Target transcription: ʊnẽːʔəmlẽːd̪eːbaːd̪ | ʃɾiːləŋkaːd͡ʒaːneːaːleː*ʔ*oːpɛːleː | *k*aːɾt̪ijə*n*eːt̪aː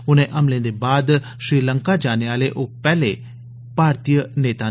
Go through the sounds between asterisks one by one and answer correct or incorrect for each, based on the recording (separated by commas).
correct, incorrect, correct